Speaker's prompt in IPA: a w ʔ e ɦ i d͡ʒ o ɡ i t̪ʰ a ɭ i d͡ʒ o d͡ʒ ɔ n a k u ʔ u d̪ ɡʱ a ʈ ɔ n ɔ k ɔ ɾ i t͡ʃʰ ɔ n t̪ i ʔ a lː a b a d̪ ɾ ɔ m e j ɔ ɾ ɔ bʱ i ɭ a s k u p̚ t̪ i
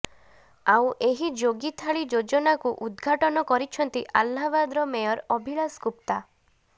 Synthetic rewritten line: a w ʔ e ɦ i d͡ʒ o ɡ i t̪ʰ a ɭ i d͡ʒ o d͡ʒ ɔ n a k u ʔ u d̪ ɡʱ a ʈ ɔ n ɔ k ɔ ɾ i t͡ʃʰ ɔ n t̪ i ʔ a lː a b a d̪ ɾ ɔ m e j ɔ ɾ ɔ bʱ i ɭ a s k u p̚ t̪ a

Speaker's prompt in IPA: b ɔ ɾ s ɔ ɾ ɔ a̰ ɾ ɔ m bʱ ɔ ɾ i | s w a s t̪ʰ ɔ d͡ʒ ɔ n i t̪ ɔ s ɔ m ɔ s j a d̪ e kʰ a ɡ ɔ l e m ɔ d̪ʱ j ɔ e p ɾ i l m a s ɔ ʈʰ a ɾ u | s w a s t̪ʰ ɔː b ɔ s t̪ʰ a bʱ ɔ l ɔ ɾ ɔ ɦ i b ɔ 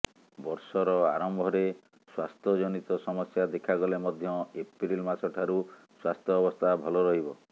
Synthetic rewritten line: b ɔ ɾ s ɔ ɾ ɔ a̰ ɾ ɔ m bʱ ɔ ɾ e | s w a s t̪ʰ ɔ d͡ʒ ɔ n i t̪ ɔ s ɔ m ɔ s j a d̪ e kʰ a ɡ ɔ l e m ɔ d̪ʱ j ɔ e p ɾ i l m a s ɔ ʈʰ a ɾ u | s w a s t̪ʰ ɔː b ɔ s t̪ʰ a bʱ ɔ l ɔ ɾ ɔ ɦ i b ɔ

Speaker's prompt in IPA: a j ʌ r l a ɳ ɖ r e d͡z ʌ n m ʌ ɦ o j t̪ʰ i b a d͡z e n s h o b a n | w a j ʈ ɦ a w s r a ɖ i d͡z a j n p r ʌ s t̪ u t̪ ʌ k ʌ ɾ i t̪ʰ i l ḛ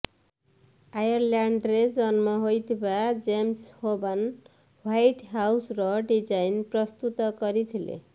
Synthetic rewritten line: a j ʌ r l a ɳ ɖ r e d͡z ʌ n m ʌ ɦ o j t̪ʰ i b a d͡z e m s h o b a n | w a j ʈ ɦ a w s r ʌ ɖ i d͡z a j n p r ʌ s t̪ u t̪ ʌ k ʌ ɾ i t̪ʰ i l ḛ

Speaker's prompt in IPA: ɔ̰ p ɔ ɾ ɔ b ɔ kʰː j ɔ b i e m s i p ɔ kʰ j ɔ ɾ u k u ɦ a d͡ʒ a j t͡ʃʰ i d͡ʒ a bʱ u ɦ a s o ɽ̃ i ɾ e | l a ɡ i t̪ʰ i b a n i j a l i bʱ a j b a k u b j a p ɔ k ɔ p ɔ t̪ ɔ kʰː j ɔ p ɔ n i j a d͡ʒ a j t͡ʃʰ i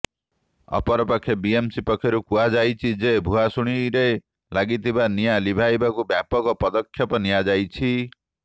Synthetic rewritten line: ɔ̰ p ɔ ɾ ɔ p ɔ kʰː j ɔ b i e m s i p ɔ kʰ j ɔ ɾ u k u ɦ a d͡ʒ a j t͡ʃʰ i d͡ʒ e bʱ u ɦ a s u ɽ̃ i ɾ e | l a ɡ i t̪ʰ i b a n i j a l i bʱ a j b a k u b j a p ɔ k ɔ p ɔ d̪ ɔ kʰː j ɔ p ɔ n i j a d͡ʒ a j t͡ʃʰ i

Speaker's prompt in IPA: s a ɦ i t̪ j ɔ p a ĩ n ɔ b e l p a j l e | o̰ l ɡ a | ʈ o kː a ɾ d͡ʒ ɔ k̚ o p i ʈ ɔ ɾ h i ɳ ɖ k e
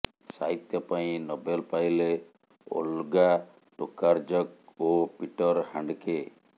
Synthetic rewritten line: s a ɦ i t̪ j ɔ p a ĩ n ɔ b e l p a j l e | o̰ l ɡ a | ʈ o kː a ɾ d͡ʒ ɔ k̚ o p i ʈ ɔ ɾ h a ɳ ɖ k e

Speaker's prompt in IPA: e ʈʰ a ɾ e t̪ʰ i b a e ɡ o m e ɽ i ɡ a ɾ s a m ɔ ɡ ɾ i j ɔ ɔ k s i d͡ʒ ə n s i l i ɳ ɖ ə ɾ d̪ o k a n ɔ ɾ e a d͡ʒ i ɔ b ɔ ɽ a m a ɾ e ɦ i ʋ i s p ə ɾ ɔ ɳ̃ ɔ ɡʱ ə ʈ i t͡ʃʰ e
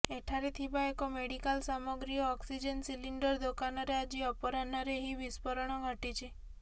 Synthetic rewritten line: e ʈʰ a ɾ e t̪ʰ i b a e k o m e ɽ i k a l s a m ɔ ɡ ɾ i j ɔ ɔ k s i d͡ʒ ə n s i l i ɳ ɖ ə ɾ d̪ o k a n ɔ ɾ e a d͡ʒ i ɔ p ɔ ɾ a n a ɾ e ɦ i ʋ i s p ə ɾ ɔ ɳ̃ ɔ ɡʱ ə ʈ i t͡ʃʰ e

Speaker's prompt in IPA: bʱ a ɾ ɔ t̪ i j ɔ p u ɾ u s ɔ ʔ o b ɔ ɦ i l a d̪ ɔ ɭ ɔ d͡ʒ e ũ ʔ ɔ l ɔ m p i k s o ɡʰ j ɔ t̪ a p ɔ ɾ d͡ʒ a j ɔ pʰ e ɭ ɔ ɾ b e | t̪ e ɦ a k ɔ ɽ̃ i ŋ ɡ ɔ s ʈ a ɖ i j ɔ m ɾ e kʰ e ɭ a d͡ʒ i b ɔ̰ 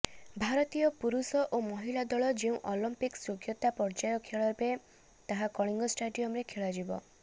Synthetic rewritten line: bʱ a ɾ ɔ t̪ i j ɔ p u ɾ u s ɔ ʔ o m ɔ ɦ i l a d̪ ɔ ɭ ɔ d͡ʒ e ũ ʔ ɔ l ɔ m p i k s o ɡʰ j ɔ t̪ a p ɔ ɾ d͡ʒ a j ɔ kʰ e ɭ ɔ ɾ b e | t̪ a ɦ a k ɔ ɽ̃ i ŋ ɡ ɔ s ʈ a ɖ i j ɔ m ɾ e kʰ e ɭ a d͡ʒ i b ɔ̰

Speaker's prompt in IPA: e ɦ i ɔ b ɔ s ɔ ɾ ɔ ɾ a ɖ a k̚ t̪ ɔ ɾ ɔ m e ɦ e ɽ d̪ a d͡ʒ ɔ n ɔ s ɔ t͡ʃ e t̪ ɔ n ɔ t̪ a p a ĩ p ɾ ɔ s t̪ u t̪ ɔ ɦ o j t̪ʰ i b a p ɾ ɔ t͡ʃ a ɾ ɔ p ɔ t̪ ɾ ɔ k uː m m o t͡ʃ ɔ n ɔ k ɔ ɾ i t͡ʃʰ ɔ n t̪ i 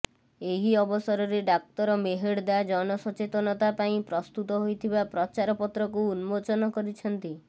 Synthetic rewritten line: e ɦ i ɔ b ɔ s ɔ ɾ ɔ ɾ e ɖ a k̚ t̪ ɔ ɾ ɔ m e ɦ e ɽ d̪ a d͡ʒ ɔ n ɔ s ɔ t͡ʃ e t̪ ɔ n ɔ t̪ a p a ĩ p ɾ ɔ s t̪ u t̪ ɔ ɦ o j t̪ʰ i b a p ɾ ɔ t͡ʃ a ɾ ɔ p ɔ t̪ ɾ ɔ k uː n m o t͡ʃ ɔ n ɔ k ɔ ɾ i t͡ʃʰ ɔ n t̪ i

